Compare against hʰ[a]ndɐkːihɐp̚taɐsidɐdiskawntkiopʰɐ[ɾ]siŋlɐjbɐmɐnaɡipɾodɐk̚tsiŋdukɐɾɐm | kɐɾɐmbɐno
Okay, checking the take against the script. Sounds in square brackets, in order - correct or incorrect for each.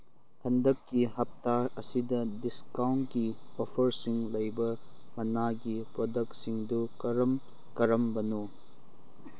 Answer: incorrect: ɐ, correct

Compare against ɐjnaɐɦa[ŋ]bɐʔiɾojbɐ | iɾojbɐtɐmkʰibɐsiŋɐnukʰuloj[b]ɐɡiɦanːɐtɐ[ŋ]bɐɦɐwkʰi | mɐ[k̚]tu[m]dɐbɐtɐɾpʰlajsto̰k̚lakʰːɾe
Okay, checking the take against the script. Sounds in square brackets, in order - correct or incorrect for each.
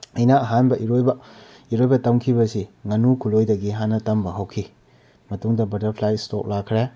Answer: incorrect: n, incorrect: d, incorrect: m, incorrect: none, incorrect: ŋ

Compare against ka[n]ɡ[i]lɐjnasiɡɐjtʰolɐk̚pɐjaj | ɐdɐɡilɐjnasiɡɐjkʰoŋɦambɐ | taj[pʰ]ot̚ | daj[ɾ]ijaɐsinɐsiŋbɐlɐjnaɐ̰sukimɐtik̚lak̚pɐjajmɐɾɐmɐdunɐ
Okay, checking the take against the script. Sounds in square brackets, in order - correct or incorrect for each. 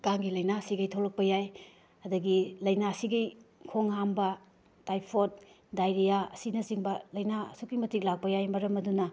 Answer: incorrect: ŋ, correct, correct, correct

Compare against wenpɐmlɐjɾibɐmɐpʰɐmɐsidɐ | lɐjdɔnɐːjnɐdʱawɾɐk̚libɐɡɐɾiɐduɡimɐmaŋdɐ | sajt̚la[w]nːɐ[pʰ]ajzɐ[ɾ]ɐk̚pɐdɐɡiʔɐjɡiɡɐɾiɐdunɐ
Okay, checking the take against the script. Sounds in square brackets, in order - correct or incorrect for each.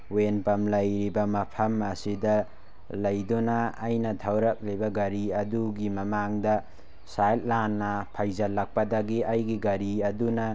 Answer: incorrect: none, correct, incorrect: l

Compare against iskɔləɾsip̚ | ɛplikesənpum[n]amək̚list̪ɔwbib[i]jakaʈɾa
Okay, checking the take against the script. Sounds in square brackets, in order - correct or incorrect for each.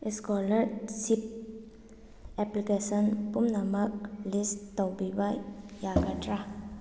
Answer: correct, incorrect: a

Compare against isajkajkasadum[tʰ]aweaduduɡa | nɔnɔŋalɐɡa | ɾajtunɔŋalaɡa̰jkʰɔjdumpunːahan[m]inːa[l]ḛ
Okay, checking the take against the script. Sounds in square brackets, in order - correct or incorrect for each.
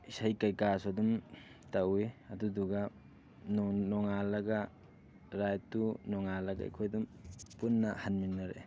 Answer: incorrect: t, correct, incorrect: ɾ

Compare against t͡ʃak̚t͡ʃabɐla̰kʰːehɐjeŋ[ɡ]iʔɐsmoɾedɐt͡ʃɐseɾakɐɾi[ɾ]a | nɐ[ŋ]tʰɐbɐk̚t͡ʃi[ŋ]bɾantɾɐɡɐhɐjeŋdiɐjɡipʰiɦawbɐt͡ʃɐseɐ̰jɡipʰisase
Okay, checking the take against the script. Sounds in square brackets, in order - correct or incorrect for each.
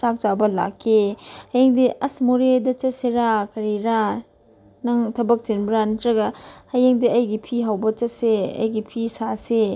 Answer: incorrect: d, correct, correct, incorrect: n

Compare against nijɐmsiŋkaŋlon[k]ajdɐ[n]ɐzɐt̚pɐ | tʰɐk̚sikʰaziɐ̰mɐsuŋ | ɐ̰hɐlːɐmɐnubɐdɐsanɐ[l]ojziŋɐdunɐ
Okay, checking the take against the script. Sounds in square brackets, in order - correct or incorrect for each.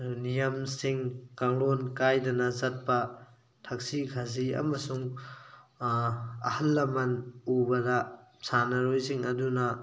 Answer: correct, correct, incorrect: ɾ

